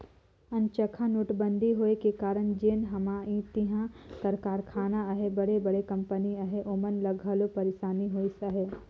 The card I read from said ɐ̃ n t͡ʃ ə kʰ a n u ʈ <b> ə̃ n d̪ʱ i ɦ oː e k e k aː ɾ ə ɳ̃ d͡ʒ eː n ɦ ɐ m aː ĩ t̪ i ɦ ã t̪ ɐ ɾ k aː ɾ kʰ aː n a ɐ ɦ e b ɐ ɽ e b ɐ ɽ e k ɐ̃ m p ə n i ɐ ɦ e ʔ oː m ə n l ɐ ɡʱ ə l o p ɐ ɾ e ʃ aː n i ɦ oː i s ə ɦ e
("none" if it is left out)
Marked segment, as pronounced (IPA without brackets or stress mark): b